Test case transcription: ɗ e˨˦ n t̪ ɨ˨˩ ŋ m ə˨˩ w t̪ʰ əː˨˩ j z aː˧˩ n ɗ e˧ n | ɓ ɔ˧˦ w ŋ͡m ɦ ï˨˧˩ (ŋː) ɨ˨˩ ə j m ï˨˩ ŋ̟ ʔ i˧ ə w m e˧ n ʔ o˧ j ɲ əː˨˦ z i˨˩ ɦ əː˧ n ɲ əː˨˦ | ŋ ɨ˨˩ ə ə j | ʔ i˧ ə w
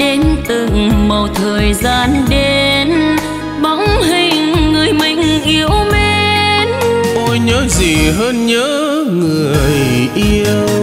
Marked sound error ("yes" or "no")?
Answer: no